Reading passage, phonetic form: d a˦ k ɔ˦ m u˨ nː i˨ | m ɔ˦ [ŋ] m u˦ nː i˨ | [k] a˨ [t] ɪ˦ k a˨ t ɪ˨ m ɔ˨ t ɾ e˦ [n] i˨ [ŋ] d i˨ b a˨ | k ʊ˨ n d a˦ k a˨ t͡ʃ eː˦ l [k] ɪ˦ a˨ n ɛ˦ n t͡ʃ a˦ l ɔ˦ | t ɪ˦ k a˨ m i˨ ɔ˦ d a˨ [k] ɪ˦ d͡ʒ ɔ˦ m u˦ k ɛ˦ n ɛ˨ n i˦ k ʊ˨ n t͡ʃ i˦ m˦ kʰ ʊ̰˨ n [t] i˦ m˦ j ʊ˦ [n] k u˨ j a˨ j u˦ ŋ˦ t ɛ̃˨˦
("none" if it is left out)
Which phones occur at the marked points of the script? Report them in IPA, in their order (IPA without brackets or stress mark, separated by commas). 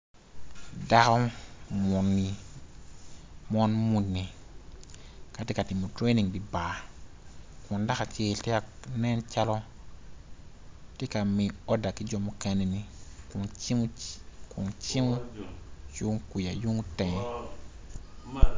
n, k, t, n, ŋ, t, k, t͡ʃ, ŋ